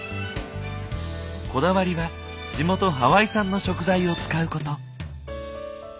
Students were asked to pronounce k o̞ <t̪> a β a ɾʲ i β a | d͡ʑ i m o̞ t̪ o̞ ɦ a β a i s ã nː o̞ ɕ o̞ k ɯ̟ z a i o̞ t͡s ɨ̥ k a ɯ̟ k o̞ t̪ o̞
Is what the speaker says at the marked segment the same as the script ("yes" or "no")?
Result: no